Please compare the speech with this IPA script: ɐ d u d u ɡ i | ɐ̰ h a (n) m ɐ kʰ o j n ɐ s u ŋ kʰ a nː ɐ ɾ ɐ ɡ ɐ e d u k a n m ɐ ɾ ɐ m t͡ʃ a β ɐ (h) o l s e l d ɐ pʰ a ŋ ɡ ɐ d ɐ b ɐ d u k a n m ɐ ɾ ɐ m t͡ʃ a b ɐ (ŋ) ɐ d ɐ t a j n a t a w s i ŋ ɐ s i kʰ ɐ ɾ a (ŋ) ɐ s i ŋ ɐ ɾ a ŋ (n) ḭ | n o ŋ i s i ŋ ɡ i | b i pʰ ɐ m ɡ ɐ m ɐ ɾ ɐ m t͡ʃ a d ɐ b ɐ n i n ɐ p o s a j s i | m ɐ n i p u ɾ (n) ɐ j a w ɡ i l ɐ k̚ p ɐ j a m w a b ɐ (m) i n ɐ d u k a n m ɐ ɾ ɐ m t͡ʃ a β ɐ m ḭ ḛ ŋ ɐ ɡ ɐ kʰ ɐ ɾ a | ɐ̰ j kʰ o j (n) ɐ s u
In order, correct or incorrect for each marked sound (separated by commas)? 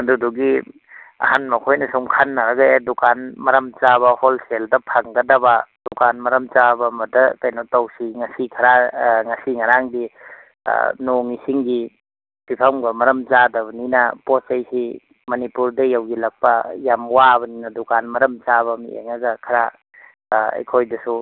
correct, correct, incorrect, correct, incorrect, incorrect, incorrect, incorrect